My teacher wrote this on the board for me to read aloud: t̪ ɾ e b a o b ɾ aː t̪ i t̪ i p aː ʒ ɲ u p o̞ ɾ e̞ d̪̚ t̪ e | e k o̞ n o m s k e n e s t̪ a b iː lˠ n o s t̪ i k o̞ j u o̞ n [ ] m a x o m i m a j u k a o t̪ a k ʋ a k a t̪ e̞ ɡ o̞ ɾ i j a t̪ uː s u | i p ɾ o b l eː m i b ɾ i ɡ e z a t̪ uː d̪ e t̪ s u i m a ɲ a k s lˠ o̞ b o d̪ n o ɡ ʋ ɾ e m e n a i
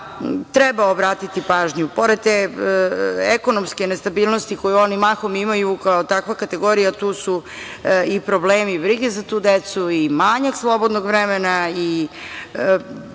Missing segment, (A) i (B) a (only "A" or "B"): A